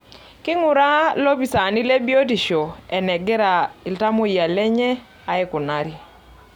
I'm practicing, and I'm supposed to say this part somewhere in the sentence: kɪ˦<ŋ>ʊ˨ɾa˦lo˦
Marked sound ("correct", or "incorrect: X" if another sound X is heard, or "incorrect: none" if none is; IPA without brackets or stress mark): correct